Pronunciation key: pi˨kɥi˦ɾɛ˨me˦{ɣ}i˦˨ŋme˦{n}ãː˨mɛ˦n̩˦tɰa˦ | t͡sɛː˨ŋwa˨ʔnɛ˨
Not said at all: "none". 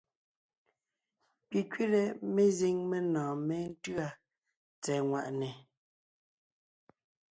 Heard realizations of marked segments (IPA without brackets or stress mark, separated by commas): z, n